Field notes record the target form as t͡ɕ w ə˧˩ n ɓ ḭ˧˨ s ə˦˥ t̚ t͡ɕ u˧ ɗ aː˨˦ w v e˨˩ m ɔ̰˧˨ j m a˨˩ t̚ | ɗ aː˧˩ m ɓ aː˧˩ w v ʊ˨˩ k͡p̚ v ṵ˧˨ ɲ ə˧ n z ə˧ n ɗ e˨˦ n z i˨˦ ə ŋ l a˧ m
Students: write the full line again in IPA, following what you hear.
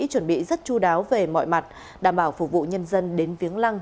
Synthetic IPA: t͡ɕ w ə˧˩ n ɓ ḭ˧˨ z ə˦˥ t̚ t͡ɕ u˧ ɗ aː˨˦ w v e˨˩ m ɔ̰˧˨ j m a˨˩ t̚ | ɗ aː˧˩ m ɓ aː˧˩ w f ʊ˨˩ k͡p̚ v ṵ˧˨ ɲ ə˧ n z ə˧ n ɗ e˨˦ n v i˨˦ ə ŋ l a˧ ŋ

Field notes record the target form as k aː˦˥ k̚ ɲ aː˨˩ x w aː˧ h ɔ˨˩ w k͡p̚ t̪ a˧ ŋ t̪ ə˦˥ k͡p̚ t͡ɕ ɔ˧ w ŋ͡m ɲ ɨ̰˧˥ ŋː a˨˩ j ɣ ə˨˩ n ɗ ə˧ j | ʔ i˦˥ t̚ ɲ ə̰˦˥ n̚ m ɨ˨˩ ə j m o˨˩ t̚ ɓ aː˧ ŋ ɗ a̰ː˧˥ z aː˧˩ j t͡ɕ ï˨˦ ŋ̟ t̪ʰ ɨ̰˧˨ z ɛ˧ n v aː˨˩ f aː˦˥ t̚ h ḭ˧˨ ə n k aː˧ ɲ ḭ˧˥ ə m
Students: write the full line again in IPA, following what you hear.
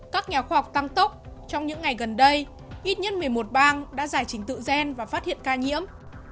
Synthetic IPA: k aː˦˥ k̚ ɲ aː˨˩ x w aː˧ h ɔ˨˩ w k͡p̚ t̪ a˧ ŋ t̪ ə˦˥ k͡p̚ t͡ɕ ɔ˧ w ŋ͡m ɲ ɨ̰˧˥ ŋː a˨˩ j ɣ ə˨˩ n ɗ ə˧ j | ʔ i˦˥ t̚ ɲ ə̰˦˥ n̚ m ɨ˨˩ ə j m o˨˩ t̚ ɓ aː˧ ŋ ɗ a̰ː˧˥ z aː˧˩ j t͡ɕ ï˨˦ ŋ̟ t̪ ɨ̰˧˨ z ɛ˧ n v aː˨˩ f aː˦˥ t̚ h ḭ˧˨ ə n k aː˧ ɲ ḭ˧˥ ə m

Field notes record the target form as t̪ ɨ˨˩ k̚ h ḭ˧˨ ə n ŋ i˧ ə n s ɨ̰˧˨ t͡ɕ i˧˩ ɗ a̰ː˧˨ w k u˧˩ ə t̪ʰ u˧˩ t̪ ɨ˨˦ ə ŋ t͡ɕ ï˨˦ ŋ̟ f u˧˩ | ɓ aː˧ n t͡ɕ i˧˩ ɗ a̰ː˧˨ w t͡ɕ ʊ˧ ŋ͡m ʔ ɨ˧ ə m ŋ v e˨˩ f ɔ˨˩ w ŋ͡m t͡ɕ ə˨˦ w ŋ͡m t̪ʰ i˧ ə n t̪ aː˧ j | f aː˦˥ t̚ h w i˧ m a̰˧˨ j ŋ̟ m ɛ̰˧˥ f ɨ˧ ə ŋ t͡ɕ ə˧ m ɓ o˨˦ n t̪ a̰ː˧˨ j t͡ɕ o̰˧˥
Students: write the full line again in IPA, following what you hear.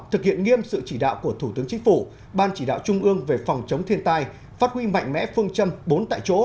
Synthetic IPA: t̪ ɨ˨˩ k̚ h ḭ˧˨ ə n ŋ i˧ ə m s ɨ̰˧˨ t͡ɕ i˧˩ ɗ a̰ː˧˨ w k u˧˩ ə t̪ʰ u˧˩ t̪ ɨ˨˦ ə ŋ t͡ɕ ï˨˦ ŋ̟ f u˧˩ | ɓ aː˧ n t͡ɕ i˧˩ ɗ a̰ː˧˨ w t͡ɕ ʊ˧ ŋ͡m ʔ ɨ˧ ə ŋ v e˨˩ f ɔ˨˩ w ŋ͡m t͡ɕ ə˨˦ w ŋ͡m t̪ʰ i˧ ə n t̪ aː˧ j | f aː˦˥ t̚ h w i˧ m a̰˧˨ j ŋ̟ m ɛ̰˧˥ f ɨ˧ ə ŋ t͡ɕ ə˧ m ɓ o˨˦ n t̪ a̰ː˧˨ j t͡ɕ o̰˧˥

